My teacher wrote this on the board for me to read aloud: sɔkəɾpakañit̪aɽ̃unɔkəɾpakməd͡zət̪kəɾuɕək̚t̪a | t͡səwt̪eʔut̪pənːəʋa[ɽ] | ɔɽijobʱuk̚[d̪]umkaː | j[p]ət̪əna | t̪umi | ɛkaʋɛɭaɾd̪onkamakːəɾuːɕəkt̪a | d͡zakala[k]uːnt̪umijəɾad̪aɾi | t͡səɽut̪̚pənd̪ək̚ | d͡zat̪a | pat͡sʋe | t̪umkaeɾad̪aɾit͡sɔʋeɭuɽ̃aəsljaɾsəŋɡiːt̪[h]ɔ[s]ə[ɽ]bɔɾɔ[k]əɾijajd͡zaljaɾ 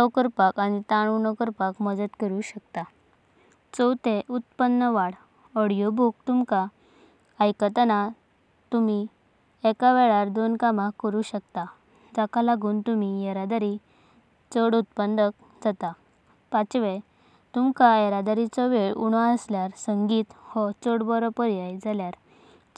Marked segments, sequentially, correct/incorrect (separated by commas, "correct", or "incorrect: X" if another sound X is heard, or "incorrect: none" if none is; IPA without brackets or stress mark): correct, incorrect: t̪, incorrect: k, incorrect: ɡ, correct, incorrect: t͡s, correct, incorrect: p